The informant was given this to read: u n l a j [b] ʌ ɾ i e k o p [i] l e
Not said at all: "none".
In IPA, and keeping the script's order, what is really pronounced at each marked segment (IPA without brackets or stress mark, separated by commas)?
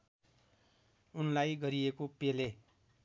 ɡ, e